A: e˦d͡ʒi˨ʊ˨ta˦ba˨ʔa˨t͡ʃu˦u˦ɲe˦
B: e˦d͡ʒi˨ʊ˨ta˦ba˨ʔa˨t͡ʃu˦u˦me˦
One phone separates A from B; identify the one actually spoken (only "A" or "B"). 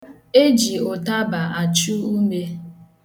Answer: B